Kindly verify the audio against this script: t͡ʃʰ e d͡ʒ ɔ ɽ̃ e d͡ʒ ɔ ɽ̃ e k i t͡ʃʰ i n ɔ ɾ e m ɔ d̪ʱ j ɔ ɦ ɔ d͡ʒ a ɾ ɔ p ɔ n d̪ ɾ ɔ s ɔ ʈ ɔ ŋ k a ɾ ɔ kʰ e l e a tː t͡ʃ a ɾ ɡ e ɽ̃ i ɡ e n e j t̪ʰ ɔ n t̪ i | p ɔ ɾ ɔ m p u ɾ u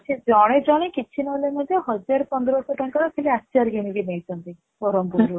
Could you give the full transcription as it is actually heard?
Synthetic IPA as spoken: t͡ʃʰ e d͡ʒ ɔ ɽ̃ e d͡ʒ ɔ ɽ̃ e k i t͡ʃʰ i n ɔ l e m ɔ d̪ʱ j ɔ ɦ ɔ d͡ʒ a ɾ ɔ p ɔ n d̪ ɾ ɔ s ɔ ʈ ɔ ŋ k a ɾ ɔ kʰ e l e a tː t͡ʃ a ɾ ɡ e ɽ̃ i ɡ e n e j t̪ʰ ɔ n t̪ i | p ɔ ɾ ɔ m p u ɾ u